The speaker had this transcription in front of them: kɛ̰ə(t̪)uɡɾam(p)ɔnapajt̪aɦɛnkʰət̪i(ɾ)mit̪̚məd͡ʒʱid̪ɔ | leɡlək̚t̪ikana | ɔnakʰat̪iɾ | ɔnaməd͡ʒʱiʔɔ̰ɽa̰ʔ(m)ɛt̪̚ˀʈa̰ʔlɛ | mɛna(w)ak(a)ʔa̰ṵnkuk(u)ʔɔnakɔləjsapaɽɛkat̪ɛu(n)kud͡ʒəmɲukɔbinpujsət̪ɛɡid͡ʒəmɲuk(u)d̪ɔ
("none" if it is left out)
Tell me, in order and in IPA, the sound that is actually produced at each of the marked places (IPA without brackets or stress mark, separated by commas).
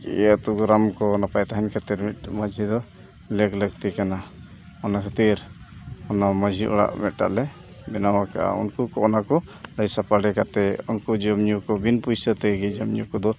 t̪, k, ɾ, m, w, a, ɔ, n, ɔ